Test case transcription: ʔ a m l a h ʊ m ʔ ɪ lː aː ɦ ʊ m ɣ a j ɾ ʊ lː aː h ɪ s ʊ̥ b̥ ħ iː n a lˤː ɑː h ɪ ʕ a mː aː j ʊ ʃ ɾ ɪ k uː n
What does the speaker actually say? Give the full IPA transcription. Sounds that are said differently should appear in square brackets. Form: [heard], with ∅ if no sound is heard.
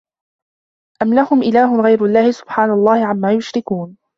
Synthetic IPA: ʔ a m l a h ʊ m ʔ ɪ [l] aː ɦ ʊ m ɣ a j ɾ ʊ lː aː h ɪ s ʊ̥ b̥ ħ [aː] n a lˤː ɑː h ɪ ʕ a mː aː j ʊ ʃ ɾ ɪ k uː n